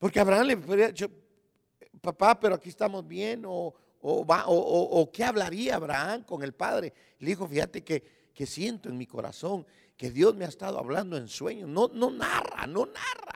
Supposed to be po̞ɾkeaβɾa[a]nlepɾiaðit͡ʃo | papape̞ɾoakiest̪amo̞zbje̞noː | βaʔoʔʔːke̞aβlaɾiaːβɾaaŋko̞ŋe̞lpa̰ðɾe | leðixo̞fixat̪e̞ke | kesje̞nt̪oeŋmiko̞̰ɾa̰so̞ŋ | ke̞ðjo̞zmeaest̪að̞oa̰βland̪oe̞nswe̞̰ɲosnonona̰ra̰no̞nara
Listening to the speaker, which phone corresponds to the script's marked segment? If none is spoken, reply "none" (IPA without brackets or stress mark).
a